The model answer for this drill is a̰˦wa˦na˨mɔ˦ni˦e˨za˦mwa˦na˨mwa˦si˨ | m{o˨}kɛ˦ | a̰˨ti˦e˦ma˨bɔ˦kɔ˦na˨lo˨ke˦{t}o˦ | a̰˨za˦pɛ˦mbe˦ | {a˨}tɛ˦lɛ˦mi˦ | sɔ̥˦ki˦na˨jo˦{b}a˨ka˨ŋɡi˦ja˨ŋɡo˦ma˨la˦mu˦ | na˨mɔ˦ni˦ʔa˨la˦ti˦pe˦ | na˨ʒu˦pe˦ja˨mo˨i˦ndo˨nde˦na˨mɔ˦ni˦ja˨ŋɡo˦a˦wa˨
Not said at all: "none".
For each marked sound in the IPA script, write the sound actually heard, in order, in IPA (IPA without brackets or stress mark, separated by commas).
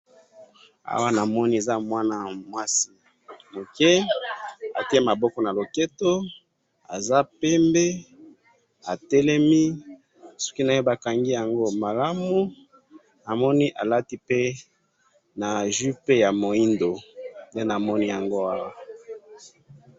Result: o˨, t, a˨, b